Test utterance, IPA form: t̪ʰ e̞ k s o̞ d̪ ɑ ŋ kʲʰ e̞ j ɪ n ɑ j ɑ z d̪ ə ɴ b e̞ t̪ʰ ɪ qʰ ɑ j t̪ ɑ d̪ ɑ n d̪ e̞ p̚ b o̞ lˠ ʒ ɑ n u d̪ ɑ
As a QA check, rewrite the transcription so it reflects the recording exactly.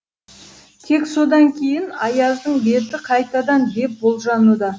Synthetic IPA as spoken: t̪ʰ e̞ k s o̞ d̪ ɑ ŋ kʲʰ e̞ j ɪ n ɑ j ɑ z d̪ ə ɴ b e̞ t̪ ɪ qʰ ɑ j t̪ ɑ d̪ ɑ n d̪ e̞ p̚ b o̞ lˠ ʒ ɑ n u d̪ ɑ